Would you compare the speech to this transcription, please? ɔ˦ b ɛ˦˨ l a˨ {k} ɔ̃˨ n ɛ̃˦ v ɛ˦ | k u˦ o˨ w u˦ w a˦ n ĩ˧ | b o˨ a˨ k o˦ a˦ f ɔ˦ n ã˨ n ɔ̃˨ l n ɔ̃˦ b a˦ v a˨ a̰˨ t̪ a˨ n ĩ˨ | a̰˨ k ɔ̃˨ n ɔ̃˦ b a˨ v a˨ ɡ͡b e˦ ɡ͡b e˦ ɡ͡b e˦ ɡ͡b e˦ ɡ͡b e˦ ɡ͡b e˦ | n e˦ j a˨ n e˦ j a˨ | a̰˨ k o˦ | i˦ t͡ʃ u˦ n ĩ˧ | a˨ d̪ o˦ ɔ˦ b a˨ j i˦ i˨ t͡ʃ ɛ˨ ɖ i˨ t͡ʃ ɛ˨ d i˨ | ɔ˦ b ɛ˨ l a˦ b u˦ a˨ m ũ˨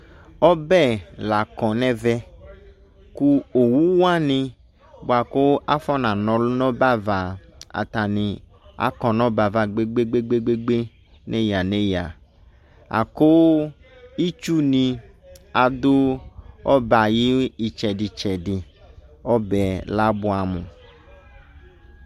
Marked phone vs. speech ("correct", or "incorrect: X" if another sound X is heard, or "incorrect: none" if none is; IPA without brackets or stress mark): correct